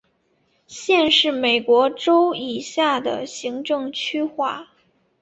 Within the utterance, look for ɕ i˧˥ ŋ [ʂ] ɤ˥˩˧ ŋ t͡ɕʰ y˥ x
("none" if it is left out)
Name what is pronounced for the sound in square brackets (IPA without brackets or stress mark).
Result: ʈ͡ʂ